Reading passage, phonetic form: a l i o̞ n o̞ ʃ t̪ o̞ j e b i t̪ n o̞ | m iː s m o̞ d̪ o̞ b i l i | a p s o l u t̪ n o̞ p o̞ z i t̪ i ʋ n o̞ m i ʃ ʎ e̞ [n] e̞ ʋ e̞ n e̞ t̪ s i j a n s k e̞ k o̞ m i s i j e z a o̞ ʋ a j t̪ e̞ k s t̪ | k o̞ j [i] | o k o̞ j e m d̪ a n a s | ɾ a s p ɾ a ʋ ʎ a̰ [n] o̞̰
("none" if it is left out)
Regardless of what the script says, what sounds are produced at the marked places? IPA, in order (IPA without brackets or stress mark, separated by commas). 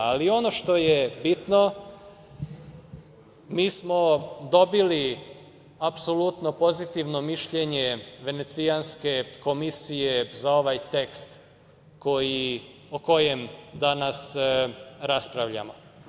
ɲ, i, m